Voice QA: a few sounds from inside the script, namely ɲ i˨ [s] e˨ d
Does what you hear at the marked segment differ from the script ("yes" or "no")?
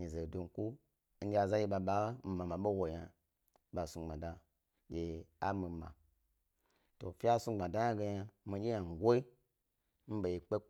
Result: yes